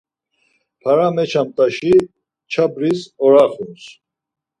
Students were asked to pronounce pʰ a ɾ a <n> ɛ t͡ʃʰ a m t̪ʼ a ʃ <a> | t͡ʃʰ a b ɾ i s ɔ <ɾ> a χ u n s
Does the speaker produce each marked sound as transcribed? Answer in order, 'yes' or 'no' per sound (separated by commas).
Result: no, no, yes